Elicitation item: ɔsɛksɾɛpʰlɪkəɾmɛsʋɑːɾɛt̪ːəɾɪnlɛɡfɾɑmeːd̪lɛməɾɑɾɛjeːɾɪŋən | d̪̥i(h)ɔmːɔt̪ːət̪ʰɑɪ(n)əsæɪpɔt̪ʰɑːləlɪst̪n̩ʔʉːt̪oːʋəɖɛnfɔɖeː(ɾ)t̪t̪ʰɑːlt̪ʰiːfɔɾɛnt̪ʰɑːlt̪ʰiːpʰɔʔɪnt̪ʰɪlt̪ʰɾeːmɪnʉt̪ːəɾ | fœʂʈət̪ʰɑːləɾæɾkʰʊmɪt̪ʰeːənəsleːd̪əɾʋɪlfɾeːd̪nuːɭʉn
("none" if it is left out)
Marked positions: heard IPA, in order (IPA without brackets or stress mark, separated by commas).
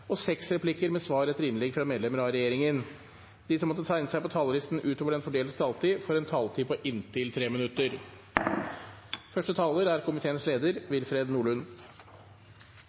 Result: s, n, l